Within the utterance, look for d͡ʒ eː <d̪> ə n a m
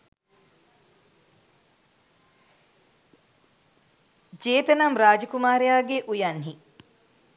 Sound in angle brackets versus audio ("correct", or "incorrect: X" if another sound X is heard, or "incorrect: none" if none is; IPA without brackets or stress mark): incorrect: t̪